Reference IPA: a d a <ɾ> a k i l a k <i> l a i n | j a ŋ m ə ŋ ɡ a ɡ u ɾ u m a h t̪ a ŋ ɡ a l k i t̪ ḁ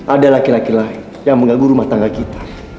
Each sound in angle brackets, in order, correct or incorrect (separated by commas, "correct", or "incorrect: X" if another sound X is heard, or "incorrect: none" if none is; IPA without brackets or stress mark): incorrect: l, correct